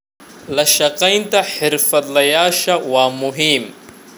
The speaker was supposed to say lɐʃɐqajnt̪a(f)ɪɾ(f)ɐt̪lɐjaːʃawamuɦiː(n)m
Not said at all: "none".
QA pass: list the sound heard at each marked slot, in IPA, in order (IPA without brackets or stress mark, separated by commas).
ħ, f, none